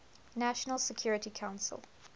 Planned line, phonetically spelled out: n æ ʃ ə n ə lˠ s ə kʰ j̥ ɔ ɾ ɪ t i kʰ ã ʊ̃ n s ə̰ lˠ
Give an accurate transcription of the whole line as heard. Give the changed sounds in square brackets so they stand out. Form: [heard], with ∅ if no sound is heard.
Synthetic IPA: n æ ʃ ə n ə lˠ s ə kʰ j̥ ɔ [ɹ] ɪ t i kʰ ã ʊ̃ n s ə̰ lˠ